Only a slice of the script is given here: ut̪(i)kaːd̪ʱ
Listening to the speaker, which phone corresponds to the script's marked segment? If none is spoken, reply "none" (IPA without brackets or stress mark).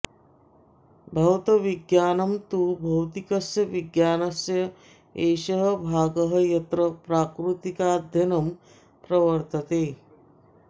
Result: i